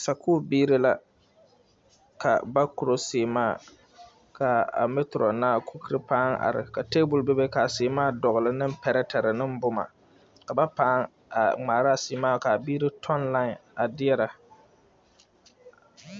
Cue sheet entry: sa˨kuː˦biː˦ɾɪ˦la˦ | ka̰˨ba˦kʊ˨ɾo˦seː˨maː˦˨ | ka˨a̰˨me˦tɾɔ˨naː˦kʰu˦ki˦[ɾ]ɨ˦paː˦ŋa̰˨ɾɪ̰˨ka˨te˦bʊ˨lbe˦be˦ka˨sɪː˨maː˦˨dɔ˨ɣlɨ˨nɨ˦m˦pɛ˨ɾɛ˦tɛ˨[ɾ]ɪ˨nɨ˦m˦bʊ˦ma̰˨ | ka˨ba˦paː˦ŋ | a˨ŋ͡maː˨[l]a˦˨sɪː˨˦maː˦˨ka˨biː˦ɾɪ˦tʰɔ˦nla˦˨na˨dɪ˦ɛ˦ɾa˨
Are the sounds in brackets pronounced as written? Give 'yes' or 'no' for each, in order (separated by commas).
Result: yes, yes, no